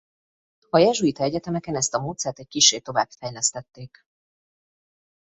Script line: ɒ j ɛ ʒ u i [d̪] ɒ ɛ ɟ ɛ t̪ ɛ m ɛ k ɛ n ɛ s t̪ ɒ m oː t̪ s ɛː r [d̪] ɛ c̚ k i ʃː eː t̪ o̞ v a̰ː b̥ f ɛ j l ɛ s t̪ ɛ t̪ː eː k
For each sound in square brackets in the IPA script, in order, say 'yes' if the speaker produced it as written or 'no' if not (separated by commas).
no, no